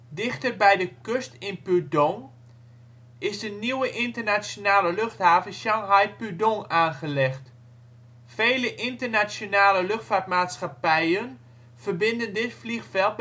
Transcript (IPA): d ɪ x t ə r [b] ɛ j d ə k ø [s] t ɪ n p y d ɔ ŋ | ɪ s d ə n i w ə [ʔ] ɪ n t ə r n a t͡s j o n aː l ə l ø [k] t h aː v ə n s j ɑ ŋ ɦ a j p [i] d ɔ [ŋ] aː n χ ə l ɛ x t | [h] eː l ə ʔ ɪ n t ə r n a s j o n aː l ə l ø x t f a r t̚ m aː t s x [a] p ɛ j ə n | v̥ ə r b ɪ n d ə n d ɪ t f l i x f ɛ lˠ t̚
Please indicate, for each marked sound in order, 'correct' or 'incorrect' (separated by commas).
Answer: correct, correct, correct, incorrect, incorrect, correct, incorrect, correct